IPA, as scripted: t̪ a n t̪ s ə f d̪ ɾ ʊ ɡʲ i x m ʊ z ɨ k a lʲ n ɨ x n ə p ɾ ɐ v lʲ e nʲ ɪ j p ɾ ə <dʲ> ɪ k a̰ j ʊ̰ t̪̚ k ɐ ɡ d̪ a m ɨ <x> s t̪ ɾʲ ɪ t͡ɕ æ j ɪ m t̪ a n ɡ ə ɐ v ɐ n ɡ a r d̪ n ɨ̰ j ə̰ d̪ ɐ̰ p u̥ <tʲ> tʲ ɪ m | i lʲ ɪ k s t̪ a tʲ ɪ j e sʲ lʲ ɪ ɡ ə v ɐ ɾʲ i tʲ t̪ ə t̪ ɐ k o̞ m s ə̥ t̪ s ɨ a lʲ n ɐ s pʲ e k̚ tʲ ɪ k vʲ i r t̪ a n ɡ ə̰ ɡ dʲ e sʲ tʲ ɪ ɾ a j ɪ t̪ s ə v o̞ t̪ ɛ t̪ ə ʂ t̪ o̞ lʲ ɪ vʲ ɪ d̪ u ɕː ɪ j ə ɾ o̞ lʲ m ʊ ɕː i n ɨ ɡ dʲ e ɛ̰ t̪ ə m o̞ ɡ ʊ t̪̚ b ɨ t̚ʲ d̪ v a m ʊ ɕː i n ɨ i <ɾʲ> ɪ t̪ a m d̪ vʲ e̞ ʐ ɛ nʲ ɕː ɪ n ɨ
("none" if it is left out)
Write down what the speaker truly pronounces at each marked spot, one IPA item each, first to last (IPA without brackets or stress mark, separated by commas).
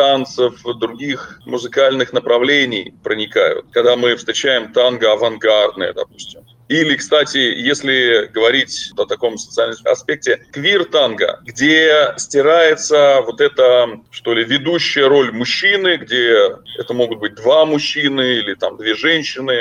nʲ, f, sʲ, lʲ